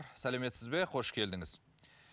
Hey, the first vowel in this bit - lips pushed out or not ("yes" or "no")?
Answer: no